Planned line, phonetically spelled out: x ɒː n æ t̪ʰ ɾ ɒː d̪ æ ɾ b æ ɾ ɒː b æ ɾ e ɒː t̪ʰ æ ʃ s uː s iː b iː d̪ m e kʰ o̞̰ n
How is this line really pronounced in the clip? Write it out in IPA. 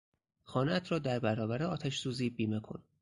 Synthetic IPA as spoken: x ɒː n æ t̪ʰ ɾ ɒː d̪ æ ɾ b æ ɾ ɒː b æ ɾ e ɒː t̪ʰ æ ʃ s uː z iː b iː m e kʰ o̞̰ n

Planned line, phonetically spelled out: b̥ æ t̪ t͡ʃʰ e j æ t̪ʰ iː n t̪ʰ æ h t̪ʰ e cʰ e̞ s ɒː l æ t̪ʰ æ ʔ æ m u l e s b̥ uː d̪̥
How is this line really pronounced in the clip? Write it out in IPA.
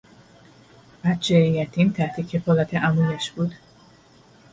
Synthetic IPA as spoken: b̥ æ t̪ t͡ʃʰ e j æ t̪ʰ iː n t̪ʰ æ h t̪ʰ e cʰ e̞ f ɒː l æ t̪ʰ e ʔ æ m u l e ʃ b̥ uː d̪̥

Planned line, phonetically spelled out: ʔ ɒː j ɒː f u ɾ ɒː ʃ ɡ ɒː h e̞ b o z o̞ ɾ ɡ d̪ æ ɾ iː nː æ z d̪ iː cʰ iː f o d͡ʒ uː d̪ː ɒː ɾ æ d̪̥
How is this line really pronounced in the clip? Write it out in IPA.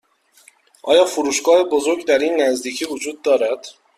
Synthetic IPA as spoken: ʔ ɒː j ɒː f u ɾ uː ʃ ɡ ɒː h e̞ b o z o̞ ɾ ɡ d̪ æ ɾ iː nː æ z d̪ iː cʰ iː v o d͡ʒ uː d̪ː ɒː ɾ æ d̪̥

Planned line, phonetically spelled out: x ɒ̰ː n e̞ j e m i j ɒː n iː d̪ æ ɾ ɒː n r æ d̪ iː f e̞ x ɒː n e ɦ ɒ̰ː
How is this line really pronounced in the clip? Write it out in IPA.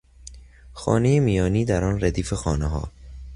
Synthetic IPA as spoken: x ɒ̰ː n e̞ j e m i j ɒː n iː d̪ æ ɾ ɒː n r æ d̪ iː f e̞ x ɒː n e ɦ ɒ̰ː

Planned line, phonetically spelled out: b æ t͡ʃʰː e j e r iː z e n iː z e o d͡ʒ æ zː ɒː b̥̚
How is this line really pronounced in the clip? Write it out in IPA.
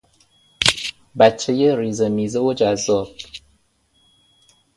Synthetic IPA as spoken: b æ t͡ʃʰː e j e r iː z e m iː z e o d͡ʒ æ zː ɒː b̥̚

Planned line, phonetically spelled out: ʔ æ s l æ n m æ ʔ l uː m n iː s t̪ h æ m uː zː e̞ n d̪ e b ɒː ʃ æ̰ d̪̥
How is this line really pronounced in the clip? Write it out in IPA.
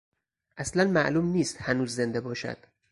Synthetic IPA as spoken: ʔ æ s l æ n m æ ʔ l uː m n iː s t̪ h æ n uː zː e̞ n d̪ e b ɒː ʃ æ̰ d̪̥

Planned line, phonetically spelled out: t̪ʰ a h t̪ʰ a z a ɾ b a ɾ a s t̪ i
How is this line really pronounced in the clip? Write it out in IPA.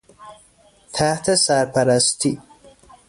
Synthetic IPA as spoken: t̪ʰ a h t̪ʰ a s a ɾ p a ɾ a s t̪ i

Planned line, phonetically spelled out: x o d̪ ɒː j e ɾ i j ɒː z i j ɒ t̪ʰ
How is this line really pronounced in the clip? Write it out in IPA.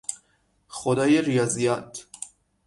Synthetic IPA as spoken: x o d̪ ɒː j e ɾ i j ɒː z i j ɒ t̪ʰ

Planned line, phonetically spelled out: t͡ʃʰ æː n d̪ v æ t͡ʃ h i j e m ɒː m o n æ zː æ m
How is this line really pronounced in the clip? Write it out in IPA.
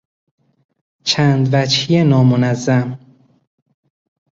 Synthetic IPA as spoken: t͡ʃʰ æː n d̪ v æ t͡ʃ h i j e n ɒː m o n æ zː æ m

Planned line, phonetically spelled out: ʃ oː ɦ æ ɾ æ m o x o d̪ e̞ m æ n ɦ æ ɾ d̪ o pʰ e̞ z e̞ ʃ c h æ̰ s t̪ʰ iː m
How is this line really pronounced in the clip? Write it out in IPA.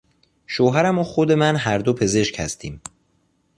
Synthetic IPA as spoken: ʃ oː ɦ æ ɾ æ m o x o d̪ e̞ m æ n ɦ æ ɾ d̪ o pʰ e̞ z e̞ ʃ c h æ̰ s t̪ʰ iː m

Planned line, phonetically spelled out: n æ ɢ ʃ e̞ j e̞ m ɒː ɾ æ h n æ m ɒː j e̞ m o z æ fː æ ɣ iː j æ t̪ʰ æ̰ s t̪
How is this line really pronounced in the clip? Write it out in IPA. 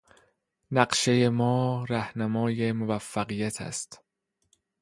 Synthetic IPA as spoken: n æ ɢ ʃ e̞ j e̞ m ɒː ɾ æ h n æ m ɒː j e̞ m o v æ fː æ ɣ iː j æ t̪ʰ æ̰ s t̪

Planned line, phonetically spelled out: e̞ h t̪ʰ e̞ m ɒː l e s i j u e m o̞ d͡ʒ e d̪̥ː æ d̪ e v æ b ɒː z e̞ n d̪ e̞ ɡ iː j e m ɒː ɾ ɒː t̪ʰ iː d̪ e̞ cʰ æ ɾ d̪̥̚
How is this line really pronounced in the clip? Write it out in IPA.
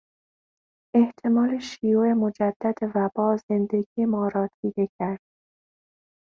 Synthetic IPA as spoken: e̞ h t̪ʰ e̞ m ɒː l e ʃ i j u e m o̞ d͡ʒ æ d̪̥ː æ d̪ e v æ b ɒː z e̞ n d̪ e̞ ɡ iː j e m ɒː ɾ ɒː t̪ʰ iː d̪ e̞ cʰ æ ɾ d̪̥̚

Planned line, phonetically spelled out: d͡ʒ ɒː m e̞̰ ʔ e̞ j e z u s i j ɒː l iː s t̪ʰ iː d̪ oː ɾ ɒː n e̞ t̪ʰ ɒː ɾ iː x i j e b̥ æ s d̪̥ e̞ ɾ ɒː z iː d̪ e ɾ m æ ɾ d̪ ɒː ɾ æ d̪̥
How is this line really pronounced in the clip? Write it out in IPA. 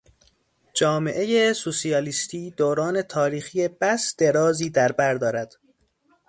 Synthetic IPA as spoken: d͡ʒ ɒː m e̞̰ ʔ e̞ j e s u s i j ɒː l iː s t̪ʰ iː d̪ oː ɾ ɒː n e̞ t̪ʰ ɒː ɾ iː x i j e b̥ æ s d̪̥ e̞ ɾ ɒː z iː d̪ æ ɾ b æ ɾ d̪ ɒː ɾ æ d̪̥

